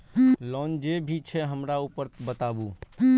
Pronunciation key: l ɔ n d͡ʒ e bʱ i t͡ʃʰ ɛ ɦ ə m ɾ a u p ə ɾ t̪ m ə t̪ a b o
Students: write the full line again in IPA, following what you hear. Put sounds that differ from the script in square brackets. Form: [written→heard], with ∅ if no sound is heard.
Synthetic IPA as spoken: l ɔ n d͡ʒ e bʱ i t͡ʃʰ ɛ ɦ ə m ɾ a u p ə ɾ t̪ [m→b] ə t̪ a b [o→u]